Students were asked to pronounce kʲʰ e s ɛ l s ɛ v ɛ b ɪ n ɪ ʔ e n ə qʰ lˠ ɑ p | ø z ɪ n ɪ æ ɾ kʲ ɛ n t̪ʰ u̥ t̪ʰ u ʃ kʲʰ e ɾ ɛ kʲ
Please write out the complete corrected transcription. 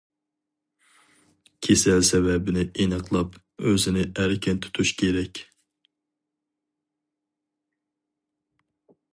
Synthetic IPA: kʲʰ e s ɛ l s ɛ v ɛ b ɪ n ɪ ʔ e n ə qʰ lˠ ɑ p | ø z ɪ n ɪ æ ɾ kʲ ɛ n t̪ʰ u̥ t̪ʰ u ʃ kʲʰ e ɾ ɛ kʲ